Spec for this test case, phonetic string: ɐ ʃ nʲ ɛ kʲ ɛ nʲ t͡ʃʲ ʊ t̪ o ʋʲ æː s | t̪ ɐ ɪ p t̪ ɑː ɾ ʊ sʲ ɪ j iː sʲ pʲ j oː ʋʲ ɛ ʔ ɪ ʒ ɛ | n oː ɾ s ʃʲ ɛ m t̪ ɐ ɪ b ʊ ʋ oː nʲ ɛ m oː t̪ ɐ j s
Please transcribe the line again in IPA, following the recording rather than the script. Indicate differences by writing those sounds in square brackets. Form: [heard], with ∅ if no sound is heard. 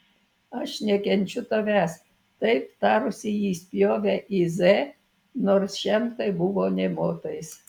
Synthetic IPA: ɐ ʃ nʲ ɛ kʲ ɛ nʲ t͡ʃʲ ʊ t̪ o ʋʲ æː s | t̪ ɐ ɪ p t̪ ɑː ɾ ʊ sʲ ɪ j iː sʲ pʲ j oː ʋʲ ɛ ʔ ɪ [z] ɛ | n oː ɾ s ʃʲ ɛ m t̪ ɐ ɪ b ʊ ʋ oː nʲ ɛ m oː t̪ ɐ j s